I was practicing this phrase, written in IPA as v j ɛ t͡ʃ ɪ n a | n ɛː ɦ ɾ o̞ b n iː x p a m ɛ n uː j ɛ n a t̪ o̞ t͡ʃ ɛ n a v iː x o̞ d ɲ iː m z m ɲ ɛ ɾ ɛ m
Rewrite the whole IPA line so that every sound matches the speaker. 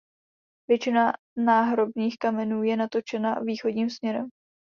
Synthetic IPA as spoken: v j ɛ t͡ʃ ɪ n a | n aː ɦ ɾ o̞ b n iː x k a m ɛ n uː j ɛ n a t̪ o̞ t͡ʃ ɛ n a v iː x o̞ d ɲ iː m s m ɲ ɛ ɾ ɛ m